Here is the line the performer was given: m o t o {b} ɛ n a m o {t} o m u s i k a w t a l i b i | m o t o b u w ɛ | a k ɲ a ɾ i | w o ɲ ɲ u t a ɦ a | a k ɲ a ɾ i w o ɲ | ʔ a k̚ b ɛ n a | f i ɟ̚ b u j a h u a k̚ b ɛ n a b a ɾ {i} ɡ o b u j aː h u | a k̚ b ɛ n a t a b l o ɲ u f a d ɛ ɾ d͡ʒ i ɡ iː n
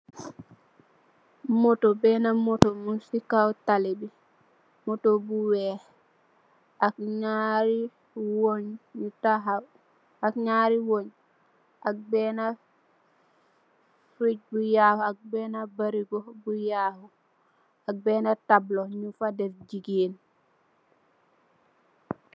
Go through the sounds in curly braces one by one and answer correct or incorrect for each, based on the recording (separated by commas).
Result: correct, correct, correct